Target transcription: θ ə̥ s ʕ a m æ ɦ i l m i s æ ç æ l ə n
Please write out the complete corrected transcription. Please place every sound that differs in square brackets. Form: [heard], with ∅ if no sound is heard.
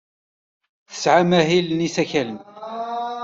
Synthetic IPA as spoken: θ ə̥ s ʕ a m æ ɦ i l [n] i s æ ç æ l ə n